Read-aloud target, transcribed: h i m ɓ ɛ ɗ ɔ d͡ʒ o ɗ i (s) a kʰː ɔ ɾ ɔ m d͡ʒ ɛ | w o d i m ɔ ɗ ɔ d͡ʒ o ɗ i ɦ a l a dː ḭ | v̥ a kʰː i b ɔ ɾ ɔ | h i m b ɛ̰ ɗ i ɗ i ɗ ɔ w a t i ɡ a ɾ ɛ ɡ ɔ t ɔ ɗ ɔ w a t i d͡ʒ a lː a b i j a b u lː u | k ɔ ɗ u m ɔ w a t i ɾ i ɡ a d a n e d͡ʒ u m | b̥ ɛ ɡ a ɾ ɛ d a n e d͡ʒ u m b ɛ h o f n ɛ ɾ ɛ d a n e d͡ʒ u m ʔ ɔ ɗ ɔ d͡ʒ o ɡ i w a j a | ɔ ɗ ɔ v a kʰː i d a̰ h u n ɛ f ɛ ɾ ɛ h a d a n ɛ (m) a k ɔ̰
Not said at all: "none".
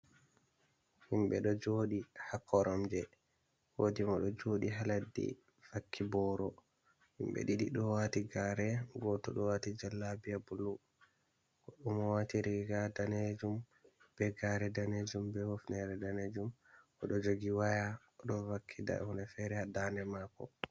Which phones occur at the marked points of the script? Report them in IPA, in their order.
h, m

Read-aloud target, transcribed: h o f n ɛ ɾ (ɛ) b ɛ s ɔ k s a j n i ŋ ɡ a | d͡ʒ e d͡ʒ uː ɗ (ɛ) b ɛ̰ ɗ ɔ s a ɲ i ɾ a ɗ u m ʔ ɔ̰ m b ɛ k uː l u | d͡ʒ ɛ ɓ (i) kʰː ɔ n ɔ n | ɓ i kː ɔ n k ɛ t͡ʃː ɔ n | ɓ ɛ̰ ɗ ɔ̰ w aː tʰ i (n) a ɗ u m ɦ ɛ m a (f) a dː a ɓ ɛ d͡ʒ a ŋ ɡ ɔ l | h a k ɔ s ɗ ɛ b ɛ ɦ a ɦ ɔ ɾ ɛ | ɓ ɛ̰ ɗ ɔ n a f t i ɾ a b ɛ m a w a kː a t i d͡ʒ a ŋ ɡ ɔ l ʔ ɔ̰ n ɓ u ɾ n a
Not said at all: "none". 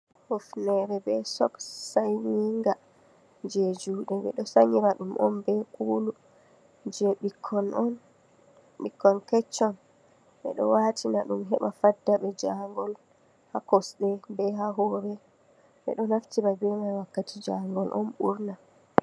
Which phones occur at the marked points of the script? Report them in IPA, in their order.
ɛ, ɛ, i, n, f

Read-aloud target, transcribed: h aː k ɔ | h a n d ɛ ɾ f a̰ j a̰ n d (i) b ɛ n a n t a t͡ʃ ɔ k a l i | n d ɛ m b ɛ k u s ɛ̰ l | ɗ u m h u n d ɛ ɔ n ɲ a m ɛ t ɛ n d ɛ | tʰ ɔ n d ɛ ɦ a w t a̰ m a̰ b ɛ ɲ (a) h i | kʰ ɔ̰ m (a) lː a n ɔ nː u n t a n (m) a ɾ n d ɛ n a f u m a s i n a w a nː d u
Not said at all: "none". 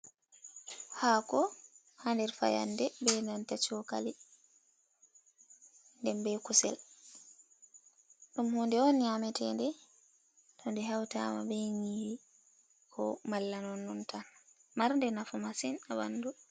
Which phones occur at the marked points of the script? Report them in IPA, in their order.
ɛ, i, a, m

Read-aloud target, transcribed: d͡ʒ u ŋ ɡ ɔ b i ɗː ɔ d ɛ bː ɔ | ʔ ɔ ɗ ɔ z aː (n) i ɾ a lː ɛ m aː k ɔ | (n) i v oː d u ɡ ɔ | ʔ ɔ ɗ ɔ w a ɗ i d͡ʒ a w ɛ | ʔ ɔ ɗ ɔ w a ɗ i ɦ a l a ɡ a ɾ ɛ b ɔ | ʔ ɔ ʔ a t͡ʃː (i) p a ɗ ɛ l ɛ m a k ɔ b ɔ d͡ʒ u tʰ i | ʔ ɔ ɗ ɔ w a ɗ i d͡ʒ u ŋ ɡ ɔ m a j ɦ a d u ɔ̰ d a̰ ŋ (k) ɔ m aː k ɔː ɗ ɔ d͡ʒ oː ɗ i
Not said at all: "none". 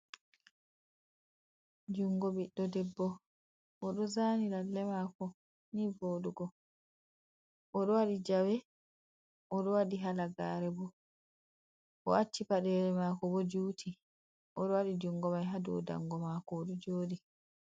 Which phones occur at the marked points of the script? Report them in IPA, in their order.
n, n, i, ɡ

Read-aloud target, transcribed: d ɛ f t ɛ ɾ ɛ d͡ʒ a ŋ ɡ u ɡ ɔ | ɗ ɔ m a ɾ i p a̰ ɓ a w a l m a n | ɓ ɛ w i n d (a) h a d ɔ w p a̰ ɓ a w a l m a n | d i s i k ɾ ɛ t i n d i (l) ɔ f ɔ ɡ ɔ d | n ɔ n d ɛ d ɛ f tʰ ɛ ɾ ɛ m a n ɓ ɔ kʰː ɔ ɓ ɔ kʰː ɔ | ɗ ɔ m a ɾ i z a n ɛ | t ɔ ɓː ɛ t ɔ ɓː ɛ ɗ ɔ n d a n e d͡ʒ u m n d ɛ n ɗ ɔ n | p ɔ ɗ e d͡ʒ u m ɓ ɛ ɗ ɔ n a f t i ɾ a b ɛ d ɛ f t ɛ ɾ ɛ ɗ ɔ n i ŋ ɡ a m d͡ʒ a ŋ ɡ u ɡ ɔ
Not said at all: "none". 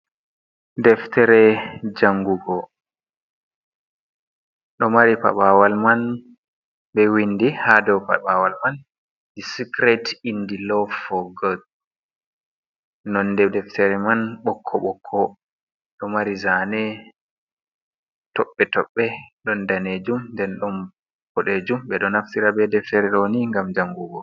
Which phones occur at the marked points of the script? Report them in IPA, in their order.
i, l

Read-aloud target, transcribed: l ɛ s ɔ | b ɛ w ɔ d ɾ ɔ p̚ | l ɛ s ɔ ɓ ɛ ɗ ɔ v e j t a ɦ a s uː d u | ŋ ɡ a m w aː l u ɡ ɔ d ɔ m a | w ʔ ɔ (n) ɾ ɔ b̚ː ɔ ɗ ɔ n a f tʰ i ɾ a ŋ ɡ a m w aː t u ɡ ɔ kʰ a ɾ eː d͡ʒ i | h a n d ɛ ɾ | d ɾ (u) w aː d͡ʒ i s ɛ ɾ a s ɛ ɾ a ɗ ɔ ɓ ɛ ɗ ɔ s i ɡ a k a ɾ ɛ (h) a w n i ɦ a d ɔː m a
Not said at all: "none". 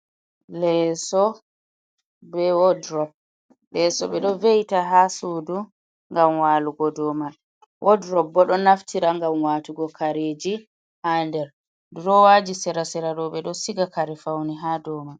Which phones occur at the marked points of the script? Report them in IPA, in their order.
d, ɔ, f

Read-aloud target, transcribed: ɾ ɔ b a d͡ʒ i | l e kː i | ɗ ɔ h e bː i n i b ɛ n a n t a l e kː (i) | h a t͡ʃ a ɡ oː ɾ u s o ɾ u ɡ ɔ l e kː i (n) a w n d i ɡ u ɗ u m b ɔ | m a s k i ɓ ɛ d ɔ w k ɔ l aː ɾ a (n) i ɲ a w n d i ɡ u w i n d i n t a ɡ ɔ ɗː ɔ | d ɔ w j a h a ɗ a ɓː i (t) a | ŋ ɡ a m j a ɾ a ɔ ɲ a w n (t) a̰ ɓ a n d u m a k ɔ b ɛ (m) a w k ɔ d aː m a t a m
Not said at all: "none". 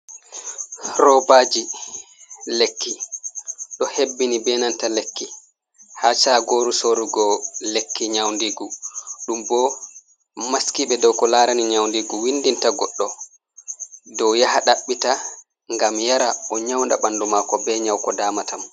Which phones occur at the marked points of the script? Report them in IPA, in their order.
i, ɲ, n, t, d, ɲ

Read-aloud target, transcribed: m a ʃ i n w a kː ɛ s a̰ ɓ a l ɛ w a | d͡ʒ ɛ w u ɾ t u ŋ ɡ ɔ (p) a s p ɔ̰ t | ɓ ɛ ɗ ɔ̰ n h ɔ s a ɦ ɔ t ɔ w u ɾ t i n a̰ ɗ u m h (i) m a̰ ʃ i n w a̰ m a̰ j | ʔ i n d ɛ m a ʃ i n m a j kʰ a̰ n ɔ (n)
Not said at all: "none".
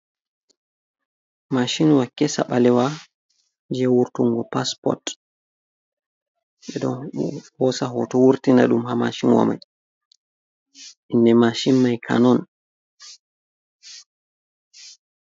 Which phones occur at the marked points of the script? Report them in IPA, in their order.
p, a, n

